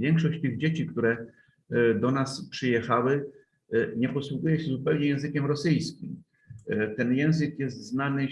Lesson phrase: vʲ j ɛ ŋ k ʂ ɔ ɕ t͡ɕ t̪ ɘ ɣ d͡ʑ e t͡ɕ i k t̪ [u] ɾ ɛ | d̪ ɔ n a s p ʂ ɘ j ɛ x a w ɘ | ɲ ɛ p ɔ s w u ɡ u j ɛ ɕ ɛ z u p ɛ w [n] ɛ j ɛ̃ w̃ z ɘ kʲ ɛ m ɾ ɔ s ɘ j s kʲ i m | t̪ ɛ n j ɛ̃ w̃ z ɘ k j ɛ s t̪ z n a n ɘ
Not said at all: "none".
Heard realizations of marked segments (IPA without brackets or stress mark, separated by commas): u, ɲ